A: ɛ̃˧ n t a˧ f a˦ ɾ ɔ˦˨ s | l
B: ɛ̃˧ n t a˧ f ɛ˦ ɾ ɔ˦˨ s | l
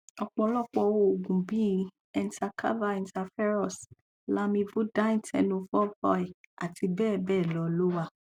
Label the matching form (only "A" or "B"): B